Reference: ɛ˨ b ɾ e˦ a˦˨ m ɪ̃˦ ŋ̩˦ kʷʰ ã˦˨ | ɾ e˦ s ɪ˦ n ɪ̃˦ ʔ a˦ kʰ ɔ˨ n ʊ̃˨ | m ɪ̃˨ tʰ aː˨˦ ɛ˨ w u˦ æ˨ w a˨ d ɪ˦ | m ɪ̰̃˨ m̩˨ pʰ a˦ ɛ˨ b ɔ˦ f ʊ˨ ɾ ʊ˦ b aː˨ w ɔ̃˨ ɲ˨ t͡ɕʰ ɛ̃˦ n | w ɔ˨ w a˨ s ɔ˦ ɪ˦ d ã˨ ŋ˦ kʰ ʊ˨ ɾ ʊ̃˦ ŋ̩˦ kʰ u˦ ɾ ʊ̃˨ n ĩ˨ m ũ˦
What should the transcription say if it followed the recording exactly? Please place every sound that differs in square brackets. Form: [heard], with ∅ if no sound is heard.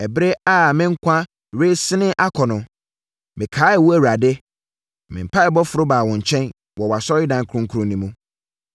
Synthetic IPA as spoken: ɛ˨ b ɾ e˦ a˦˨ m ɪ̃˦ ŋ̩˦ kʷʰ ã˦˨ | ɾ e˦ s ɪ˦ n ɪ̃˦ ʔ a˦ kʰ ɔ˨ n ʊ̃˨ | m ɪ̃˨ [kʰ] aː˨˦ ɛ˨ w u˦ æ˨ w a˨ d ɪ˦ | m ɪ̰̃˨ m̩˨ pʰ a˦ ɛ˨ b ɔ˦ f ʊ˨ ɾ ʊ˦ b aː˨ w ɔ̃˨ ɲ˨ t͡ɕʰ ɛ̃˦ n | w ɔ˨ w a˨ s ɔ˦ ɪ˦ d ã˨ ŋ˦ kʰ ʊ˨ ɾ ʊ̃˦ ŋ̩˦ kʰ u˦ ɾ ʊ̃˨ n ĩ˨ m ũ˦